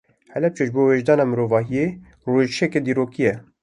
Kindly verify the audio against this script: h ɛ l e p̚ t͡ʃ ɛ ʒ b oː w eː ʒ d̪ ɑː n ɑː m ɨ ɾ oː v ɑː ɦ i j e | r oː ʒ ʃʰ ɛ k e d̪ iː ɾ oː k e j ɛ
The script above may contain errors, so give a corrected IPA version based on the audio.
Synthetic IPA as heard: h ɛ l ɛ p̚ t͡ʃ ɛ ʒ b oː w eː ʒ d̪ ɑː n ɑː m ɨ ɾ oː v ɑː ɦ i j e | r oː ʒ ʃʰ ɛ k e d̪ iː ɾ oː k i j ɛ

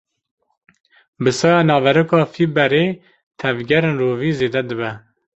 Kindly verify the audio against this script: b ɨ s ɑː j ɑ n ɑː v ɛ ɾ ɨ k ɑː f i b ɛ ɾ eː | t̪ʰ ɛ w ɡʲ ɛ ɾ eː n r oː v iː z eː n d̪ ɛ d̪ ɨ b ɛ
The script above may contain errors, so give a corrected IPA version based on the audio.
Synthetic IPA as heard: b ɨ s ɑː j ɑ n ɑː v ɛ ɾ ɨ k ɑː f i b ɛ ɾ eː | t̪ʰ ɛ v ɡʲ ɛ ɾ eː n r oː v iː z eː d̪ ɛ d̪ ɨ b ɛ

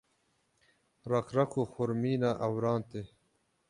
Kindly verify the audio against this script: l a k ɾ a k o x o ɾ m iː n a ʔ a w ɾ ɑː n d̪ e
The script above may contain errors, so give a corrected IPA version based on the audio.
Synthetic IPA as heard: ɾ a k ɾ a k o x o ɾ m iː n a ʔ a w ɾ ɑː n t̪ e

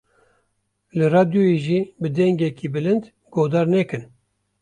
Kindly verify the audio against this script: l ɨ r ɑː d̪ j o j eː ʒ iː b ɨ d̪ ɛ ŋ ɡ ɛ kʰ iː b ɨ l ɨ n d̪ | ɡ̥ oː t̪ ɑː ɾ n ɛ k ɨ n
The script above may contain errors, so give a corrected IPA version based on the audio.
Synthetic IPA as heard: l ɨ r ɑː d̪ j o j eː ʒ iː b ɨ d̪ ɛ ŋ ɡ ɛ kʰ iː b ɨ l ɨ n d̪ | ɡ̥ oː d̪ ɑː ɾ n ɛ k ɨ n

